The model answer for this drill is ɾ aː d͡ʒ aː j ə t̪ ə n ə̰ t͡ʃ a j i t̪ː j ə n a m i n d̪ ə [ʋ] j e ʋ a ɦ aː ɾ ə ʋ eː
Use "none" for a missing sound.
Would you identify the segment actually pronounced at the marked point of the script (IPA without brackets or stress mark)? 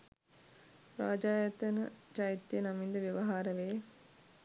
ʋ